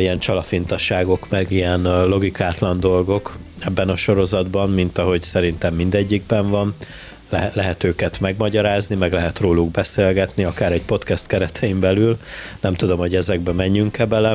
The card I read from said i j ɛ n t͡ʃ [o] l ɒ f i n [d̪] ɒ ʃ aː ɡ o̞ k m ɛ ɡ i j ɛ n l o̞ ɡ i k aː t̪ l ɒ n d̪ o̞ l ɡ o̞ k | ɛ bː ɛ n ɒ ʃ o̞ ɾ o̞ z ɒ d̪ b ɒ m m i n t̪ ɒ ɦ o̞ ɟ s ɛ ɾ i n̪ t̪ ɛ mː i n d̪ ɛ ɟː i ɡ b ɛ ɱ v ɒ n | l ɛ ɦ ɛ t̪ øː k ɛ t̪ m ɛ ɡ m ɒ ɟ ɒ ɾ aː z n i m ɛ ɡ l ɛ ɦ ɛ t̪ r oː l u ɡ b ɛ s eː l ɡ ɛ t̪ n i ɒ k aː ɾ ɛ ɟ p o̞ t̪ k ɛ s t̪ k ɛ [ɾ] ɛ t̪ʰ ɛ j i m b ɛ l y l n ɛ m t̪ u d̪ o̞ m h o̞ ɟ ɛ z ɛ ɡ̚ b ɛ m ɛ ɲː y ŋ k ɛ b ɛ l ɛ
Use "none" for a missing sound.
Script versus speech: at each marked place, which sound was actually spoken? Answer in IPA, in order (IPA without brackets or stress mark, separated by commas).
ɒ, t̪, ɾ